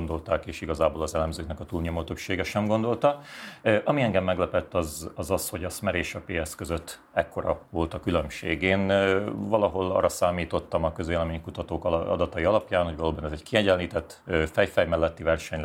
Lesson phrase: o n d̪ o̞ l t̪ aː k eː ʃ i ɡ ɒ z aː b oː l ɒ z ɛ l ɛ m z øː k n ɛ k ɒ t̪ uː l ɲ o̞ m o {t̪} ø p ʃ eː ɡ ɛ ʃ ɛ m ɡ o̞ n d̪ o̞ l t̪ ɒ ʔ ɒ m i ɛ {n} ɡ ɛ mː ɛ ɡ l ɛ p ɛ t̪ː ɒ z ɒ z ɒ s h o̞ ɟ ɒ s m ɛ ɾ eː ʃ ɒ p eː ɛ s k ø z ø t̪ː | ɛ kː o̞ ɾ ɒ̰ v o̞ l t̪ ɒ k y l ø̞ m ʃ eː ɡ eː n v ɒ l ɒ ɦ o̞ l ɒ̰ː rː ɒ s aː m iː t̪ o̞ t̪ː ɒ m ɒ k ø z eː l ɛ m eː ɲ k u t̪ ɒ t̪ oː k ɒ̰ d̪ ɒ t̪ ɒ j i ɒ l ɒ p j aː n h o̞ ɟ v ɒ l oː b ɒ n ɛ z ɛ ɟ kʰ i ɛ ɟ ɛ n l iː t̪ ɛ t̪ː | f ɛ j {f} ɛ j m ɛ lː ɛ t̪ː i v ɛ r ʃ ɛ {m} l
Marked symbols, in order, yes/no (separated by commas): yes, no, yes, no